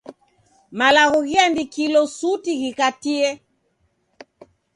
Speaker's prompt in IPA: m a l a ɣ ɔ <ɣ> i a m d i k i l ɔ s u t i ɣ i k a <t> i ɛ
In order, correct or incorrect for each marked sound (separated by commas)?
correct, correct